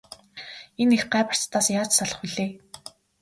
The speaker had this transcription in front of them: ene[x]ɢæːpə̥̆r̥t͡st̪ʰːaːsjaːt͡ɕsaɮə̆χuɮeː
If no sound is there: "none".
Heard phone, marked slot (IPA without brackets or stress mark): x